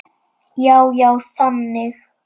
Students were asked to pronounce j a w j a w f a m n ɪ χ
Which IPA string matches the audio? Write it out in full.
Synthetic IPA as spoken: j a w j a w s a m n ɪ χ